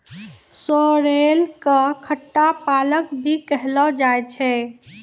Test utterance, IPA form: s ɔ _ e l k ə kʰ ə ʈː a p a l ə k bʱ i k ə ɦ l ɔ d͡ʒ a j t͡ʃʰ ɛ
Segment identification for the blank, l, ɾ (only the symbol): ɾ